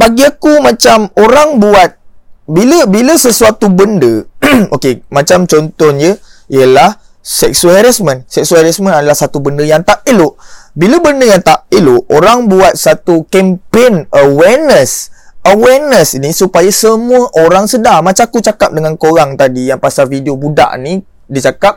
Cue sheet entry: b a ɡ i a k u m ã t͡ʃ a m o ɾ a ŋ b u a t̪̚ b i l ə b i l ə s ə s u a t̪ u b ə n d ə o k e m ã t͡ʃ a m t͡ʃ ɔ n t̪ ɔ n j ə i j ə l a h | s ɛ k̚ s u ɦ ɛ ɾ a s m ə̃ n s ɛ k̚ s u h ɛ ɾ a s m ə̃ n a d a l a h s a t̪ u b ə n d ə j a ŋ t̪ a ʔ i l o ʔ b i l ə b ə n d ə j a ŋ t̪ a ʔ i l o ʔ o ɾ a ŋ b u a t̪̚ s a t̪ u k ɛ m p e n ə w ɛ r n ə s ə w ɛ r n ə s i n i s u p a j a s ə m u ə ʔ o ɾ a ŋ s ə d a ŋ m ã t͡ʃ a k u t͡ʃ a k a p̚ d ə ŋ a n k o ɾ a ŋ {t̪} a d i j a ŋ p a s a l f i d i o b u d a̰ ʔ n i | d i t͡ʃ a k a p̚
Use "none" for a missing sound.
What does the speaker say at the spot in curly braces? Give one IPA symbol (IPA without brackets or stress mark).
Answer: t̪